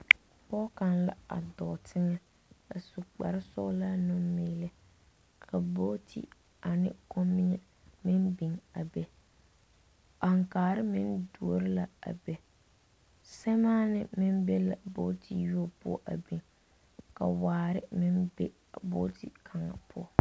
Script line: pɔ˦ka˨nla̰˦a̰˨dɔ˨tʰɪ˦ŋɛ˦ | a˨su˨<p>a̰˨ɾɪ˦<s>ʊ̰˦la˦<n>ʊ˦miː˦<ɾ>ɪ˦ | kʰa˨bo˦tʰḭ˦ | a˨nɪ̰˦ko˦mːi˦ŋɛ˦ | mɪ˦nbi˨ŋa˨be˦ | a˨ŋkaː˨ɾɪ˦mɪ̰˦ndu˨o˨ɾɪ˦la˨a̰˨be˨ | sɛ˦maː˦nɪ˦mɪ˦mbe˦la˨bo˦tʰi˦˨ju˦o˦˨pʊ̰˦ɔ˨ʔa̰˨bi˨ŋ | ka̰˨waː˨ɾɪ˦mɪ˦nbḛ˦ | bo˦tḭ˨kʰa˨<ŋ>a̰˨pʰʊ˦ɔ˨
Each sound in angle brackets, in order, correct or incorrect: incorrect: k͡p, correct, correct, incorrect: l, correct

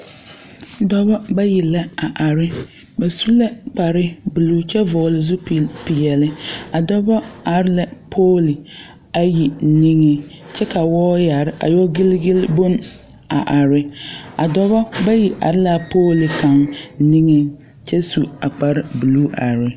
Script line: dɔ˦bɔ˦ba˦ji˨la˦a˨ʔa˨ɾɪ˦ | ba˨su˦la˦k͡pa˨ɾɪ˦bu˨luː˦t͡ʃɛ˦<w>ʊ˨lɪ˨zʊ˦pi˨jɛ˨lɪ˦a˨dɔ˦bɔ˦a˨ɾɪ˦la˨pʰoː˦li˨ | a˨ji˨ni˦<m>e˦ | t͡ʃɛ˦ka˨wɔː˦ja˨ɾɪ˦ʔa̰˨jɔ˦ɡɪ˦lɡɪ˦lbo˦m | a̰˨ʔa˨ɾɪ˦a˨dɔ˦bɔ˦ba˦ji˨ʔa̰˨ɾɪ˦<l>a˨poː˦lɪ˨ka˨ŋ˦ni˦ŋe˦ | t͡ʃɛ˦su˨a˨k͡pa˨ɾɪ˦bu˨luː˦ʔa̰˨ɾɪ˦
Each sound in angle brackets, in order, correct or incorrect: incorrect: v, incorrect: ŋ, correct

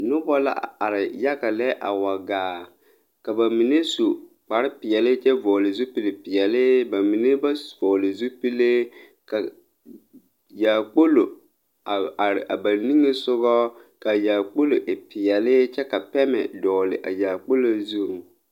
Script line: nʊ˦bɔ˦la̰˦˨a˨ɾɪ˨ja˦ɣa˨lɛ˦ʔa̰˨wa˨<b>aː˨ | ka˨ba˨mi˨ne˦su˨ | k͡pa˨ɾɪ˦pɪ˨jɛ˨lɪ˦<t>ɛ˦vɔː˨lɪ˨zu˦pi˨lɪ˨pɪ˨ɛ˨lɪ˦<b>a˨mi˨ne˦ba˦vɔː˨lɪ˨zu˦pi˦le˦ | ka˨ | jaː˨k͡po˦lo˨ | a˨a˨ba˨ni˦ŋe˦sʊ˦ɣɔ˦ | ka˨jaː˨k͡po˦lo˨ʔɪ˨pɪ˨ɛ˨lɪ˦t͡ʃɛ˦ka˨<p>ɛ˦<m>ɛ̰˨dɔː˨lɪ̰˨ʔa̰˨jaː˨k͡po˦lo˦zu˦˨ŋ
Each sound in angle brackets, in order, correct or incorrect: incorrect: ɡ, incorrect: t͡ʃ, correct, correct, correct

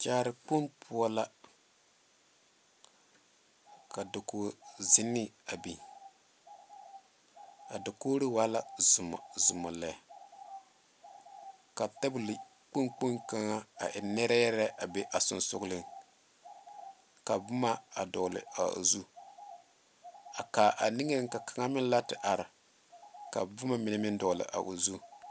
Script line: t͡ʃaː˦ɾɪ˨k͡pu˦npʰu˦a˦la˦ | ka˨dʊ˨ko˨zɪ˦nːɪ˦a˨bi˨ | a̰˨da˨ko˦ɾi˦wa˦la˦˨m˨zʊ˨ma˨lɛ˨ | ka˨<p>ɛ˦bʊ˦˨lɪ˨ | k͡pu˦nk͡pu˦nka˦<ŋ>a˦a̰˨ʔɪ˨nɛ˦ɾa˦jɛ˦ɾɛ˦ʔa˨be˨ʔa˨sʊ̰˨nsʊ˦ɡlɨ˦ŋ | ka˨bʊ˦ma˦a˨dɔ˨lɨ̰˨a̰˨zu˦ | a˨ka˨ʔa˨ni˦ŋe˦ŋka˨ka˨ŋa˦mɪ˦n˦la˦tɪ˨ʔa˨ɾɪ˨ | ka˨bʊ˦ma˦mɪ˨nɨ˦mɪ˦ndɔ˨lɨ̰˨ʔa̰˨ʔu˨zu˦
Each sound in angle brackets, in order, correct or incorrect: incorrect: t, correct

